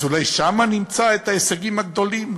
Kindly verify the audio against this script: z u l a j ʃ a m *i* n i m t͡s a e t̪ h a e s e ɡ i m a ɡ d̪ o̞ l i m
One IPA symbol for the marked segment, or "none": a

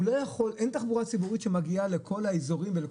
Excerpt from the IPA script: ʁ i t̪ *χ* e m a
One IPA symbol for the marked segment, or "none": ʃ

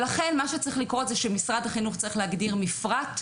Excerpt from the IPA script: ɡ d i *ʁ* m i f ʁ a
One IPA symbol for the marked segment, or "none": ʁ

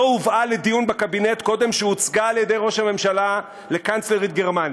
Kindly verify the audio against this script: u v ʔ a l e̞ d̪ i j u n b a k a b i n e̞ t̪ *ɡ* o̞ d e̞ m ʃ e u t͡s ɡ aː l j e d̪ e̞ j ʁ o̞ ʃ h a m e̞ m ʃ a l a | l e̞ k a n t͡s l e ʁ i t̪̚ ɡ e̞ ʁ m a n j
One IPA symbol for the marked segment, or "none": k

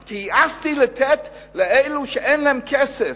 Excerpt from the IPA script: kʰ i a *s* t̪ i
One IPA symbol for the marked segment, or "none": s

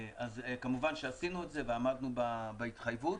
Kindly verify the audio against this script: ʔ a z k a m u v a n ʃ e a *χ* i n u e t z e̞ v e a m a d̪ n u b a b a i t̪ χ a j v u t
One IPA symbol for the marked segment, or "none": s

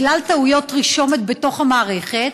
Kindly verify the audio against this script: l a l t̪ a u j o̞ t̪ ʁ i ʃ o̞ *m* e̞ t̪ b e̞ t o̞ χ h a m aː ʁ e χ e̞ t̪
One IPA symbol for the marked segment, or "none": m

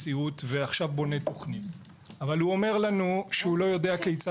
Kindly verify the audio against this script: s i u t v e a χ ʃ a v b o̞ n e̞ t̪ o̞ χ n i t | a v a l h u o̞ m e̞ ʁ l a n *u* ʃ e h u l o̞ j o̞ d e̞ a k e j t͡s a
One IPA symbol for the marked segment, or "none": u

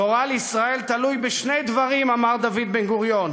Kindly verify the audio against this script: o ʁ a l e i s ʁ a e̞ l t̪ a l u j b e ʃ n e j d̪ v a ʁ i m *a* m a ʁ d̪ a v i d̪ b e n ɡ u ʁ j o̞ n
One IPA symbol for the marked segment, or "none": a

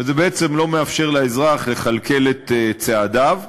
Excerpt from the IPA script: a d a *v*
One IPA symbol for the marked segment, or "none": v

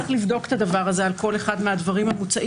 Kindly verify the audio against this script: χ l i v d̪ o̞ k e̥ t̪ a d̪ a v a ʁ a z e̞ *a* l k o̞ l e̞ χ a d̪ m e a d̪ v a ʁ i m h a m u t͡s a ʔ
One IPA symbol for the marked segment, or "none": a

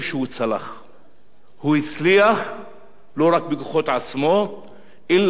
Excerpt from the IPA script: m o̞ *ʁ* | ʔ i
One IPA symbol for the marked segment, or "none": none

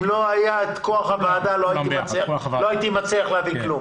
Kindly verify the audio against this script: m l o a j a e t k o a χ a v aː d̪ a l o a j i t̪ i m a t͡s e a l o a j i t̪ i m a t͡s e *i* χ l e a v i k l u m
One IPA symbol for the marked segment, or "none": a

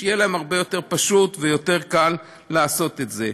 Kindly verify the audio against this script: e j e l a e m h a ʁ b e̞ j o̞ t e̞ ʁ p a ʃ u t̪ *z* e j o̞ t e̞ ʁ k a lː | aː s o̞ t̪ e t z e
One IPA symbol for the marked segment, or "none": v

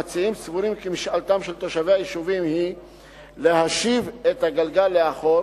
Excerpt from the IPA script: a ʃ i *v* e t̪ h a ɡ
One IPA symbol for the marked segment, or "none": v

